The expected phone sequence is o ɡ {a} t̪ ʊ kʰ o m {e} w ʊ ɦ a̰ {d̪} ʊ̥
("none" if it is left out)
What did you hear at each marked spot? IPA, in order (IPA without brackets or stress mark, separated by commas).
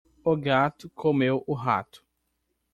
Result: a, e, t̪